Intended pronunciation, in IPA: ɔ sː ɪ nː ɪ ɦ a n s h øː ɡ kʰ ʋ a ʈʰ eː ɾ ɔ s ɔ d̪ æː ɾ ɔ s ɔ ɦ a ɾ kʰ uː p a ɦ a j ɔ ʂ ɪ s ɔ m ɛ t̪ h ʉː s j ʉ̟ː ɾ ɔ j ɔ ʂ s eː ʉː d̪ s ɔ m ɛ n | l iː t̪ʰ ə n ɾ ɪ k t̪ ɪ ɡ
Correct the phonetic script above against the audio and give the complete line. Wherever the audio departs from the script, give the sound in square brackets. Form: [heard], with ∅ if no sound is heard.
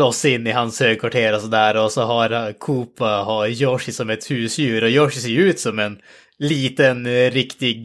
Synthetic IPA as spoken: ɔ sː ɪ nː ɪ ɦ a n s h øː ɡ kʰ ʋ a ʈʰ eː ɾ ɔ s ɔ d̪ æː ɾ ɔ s ɔ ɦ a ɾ kʰ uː p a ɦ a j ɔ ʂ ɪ s ɔ m ɛ t̪ h ʉː s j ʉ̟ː ɾ ɔ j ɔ ʂ s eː ʉː [t̪] s ɔ m ɛ n | l iː [t̪] ə n ɾ ɪ k t̪ ɪ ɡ